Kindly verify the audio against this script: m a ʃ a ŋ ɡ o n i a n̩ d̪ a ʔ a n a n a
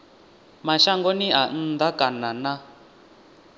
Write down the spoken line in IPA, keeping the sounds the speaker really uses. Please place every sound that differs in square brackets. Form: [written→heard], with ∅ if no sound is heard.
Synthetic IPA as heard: m a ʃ a ŋ ɡ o n i a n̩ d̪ a [ʔ→k] a n a n a